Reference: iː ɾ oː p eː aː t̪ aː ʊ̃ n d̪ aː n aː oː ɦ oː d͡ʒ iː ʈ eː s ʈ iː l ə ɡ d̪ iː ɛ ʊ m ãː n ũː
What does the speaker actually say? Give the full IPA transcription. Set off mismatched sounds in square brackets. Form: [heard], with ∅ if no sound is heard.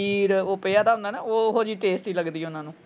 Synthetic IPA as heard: iː ɾ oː p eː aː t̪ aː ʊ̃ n d̪ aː n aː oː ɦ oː d͡ʒ iː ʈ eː s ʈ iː l ə ɡ d̪ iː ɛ ʊ [n] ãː n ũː